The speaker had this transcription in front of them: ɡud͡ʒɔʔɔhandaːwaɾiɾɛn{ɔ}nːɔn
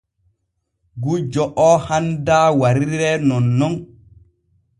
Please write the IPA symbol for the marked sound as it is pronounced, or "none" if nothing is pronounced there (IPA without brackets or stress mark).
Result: ɔ